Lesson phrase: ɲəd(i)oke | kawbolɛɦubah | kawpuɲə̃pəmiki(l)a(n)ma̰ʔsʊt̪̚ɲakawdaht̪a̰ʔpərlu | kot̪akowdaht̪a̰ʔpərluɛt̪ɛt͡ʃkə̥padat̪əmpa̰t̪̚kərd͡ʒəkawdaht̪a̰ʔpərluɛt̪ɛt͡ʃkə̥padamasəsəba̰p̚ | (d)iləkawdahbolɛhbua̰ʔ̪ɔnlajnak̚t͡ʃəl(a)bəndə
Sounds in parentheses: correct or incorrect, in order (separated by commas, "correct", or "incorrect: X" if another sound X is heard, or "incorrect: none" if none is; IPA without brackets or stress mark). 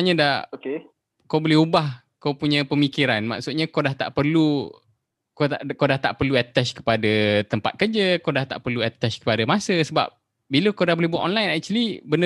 incorrect: a, incorrect: ɾ, correct, incorrect: b, incorrect: i